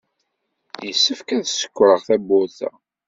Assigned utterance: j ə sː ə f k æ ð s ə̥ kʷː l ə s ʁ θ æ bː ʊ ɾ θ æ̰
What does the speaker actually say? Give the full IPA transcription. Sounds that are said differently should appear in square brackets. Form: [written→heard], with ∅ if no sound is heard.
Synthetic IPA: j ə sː ə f k æ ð s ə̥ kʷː [l→ɾ] ə [s→∅] ʁ θ æ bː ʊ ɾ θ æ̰

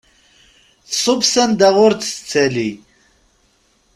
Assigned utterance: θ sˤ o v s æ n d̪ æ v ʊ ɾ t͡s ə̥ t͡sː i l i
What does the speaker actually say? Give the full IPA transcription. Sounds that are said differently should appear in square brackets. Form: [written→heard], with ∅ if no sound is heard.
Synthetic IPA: θ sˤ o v s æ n d̪ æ [v→ʁ] ʊ ɾ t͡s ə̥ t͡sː [i→æ] l i

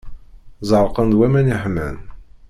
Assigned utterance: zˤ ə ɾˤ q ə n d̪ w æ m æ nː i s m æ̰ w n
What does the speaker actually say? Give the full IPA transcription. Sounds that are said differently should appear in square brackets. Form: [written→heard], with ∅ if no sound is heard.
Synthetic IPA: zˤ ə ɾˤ q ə n d̪ w æ m æ [nː→n] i [s→ħ] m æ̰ [w→∅] n

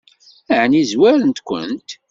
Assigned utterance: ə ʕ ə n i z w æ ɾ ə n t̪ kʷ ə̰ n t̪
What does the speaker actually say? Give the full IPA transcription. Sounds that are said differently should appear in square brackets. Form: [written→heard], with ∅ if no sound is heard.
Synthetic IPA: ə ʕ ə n i z w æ ɾ ə n t̪ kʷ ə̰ n t̪

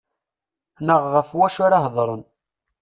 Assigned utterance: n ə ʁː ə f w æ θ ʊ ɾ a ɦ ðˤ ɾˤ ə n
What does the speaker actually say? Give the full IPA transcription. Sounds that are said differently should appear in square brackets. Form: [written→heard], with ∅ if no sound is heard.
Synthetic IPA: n ə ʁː ə f w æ [θ→ʃ] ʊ ɾ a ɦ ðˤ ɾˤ ə n

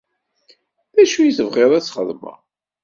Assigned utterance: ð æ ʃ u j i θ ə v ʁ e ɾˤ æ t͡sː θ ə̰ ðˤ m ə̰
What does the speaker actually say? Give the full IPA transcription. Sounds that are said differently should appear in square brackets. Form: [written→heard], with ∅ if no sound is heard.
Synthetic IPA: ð æ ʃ u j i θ ə v ʁ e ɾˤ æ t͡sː [θ→χ] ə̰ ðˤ m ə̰

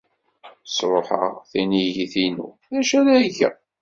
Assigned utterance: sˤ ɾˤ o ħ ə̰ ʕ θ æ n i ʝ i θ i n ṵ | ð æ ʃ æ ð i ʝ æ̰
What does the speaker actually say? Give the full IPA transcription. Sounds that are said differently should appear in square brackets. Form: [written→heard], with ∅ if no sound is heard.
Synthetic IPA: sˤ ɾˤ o ħ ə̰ [ʕ→ʁ] θ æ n i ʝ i θ i n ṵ | ð æ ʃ æ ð [i→æ] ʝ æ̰

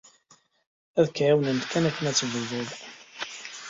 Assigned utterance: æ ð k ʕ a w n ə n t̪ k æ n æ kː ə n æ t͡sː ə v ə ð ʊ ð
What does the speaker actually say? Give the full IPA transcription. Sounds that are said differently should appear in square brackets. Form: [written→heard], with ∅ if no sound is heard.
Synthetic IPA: æ ð k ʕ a w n ə n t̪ k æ n æ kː ə n æ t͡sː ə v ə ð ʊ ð

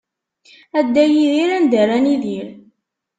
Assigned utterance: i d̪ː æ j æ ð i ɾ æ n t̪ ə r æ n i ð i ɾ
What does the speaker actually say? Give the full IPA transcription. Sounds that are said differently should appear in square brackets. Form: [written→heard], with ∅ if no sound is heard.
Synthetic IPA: [i→æ] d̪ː æ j [æ→i] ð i ɾ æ n [t̪→d̪] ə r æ n i ð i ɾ

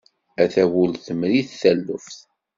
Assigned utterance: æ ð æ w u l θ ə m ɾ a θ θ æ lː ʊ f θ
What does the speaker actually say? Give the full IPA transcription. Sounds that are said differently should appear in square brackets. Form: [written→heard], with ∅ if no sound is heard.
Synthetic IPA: æ [ð→θ] æ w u l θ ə m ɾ [a→i] θ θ æ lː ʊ f θ

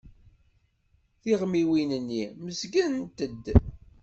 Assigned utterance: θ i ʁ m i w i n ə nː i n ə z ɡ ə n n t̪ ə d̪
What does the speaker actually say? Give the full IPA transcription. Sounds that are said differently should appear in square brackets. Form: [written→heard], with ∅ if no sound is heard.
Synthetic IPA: θ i ʁ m i w i n ə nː i [n→m] ə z ɡ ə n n t̪ ə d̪

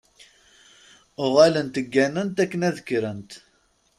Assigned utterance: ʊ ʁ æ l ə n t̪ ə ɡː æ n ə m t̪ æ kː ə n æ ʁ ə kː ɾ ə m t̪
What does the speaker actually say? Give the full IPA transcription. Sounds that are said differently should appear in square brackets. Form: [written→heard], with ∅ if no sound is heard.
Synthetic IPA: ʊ ʁ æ l ə n t̪ ə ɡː æ n ə [m→n] t̪ æ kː ə n æ [ʁ→ð] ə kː ɾ ə [m→n] t̪

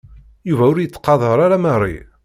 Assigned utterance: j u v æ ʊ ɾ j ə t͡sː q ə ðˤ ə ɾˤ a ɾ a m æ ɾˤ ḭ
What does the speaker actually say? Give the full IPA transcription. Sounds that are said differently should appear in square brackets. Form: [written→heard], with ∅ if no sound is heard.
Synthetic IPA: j u v æ ʊ ɾ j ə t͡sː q [ə→ɑ] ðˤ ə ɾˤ a ɾ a m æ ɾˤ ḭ

